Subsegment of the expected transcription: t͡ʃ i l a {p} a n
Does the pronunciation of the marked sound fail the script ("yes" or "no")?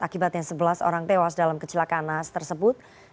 yes